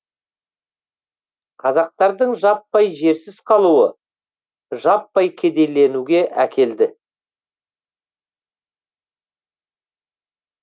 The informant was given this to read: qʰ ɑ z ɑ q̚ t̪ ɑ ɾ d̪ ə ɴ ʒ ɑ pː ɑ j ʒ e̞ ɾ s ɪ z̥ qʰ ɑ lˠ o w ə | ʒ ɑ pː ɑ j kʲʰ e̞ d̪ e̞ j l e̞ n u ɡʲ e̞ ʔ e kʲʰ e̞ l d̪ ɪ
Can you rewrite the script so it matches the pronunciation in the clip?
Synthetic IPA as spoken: qʰ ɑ z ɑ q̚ t̪ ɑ ɾ d̪ ə ɴ ʒ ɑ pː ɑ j ʒ e̞ ɾ s ɪ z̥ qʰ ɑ lˠ u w ə | ʒ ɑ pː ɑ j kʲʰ e̞ d̪ e̞ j l e̞ n u ɡʲ e̞ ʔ æ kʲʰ e̞ l d̪ ɪ